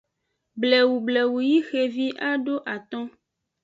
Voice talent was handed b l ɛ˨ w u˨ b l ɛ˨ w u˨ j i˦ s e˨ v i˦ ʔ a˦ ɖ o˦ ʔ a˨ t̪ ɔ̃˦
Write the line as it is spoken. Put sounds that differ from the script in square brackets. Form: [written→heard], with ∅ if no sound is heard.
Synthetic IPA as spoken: b l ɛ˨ w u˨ b l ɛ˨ w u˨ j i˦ [s→x] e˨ v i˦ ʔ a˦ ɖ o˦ ʔ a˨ t̪ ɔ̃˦

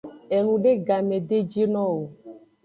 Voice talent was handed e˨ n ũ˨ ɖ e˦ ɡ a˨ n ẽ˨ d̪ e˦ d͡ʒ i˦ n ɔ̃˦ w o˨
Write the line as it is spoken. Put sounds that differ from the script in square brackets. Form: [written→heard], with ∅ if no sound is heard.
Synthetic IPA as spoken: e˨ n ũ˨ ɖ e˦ ɡ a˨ [n→m] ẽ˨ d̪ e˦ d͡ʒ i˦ n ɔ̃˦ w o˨

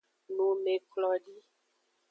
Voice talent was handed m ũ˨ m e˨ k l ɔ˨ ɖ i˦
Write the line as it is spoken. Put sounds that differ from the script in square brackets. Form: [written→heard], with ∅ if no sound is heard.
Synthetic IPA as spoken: [m→n] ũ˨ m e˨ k l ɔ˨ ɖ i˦

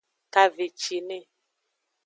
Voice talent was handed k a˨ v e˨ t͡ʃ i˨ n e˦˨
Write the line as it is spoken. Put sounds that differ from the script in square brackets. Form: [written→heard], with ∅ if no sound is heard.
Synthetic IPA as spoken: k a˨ v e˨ t͡ʃ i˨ n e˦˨

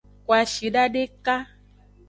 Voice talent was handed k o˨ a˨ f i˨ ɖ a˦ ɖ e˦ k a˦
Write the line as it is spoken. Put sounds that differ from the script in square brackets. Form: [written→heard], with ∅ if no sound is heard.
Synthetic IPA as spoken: k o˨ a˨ [f→ʃ] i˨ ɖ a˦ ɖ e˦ k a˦

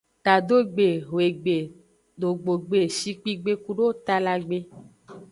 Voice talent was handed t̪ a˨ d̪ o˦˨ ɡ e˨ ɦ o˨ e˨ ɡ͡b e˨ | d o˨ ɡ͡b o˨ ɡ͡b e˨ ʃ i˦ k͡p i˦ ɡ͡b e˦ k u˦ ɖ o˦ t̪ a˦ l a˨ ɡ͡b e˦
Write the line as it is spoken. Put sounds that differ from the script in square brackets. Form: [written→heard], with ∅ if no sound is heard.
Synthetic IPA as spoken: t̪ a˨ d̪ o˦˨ [ɡ→ɡ͡b] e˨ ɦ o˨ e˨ ɡ͡b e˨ | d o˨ ɡ͡b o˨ ɡ͡b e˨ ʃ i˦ k͡p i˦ ɡ͡b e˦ k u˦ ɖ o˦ t̪ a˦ l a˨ ɡ͡b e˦

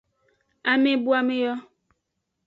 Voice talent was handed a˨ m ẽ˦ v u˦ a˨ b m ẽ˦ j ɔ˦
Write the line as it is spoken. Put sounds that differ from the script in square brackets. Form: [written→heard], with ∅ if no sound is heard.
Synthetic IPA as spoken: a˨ m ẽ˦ [v→b] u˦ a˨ [b→∅] m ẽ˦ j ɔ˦

